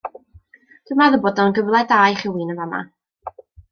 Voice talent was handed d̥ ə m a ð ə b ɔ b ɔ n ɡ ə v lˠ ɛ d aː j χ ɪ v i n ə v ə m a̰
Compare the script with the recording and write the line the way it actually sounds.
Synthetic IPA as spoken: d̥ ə m a ð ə b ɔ d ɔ n ɡ ə v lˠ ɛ d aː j χ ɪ w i n ə v a m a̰